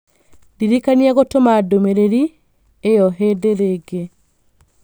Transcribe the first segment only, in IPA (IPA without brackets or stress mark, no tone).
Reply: d